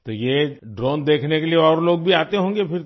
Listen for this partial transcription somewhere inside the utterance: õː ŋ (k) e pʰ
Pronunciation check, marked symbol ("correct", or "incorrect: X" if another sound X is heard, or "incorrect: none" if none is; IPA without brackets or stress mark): incorrect: ɡ